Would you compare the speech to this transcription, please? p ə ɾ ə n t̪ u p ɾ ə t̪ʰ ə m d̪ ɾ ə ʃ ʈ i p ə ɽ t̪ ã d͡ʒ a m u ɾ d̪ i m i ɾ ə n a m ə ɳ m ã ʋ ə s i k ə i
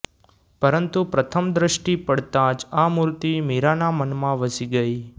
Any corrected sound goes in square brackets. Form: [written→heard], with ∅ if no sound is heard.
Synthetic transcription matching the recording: p ə ɾ ə n t̪ u p ɾ ə t̪ʰ ə m d̪ ɾ ə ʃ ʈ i p ə ɽ t̪ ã d͡ʒ a m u ɾ [d̪→t̪] i m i ɾ [ə→a] n a m ə [ɳ→n] m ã ʋ ə s i [k→ɡ] ə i